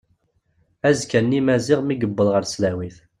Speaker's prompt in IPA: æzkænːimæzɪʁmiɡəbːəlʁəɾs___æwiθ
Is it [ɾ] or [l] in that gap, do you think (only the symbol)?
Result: l